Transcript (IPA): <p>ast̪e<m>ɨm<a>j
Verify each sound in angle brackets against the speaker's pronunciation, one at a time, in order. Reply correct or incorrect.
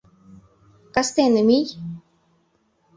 incorrect: k, incorrect: n, incorrect: i

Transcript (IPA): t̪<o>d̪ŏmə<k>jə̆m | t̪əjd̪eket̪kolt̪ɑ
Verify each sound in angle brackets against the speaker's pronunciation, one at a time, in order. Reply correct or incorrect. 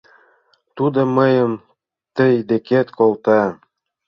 incorrect: u, incorrect: none

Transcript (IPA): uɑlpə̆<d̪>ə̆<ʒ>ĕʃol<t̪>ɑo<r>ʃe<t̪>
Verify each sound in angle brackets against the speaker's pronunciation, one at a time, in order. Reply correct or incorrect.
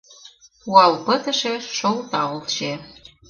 incorrect: t̪, incorrect: ʃ, correct, incorrect: l, incorrect: none

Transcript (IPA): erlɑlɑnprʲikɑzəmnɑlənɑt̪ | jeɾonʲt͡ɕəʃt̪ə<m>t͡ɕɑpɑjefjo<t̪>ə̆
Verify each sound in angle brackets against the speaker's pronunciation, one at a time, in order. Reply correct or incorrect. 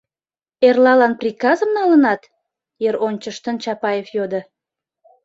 incorrect: n, incorrect: d̪

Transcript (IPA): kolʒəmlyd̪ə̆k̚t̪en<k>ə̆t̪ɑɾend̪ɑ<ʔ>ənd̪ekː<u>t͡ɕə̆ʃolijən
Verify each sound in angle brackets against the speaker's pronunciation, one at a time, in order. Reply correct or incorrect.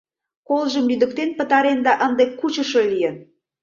incorrect: p, correct, correct

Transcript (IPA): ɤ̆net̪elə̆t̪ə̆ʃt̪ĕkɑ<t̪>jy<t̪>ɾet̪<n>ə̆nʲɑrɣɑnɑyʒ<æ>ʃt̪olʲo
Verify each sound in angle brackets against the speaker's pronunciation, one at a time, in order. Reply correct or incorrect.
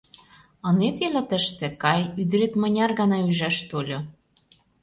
incorrect: none, incorrect: d̪, incorrect: m, correct

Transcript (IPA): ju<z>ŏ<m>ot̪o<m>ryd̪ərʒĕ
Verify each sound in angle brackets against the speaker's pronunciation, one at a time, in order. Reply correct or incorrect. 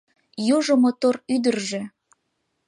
incorrect: ʒ, correct, incorrect: none

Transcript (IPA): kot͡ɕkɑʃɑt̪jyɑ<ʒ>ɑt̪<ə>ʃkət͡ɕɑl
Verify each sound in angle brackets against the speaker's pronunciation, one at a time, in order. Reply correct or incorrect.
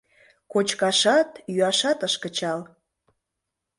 incorrect: ʃ, correct

